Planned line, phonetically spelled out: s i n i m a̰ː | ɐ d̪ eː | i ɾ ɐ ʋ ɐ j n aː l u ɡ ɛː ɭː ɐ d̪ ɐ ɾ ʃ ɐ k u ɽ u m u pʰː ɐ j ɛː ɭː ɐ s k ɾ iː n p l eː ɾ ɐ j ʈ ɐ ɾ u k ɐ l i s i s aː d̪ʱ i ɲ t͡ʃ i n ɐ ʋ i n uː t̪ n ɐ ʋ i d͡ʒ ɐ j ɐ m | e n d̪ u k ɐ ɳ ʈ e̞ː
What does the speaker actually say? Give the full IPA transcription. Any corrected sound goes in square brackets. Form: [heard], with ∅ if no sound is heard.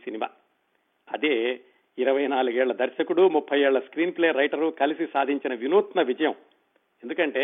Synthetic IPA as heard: s i n i m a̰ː | ɐ d̪ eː | i ɾ ɐ ʋ ɐ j n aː l u ɡ ɛː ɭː ɐ d̪ ɐ ɾ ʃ ɐ k u ɽ u m u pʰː ɐ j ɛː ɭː ɐ s k ɾ iː n p l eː ɾ ɐ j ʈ ɐ ɾ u k ɐ l i s i s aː d̪ʱ i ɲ t͡ʃ i n ɐ ʋ i n uː t̪ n ɐ ʋ i d͡ʒ ɐ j ɐ m | e n d̪ u k ɐ ɳ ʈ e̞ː